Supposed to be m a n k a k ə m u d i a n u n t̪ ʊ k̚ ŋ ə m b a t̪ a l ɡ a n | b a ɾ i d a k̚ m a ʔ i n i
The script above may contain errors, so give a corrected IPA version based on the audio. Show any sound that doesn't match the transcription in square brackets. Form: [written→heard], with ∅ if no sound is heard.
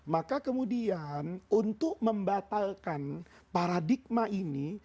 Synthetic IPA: m a [n→∅] k a k ə m u d i a n u n t̪ ʊ k̚ [ŋ→m] ə m b a t̪ a l [ɡ→k] a n | [b→p] a ɾ [i→a] d [a→i] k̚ m a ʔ i n i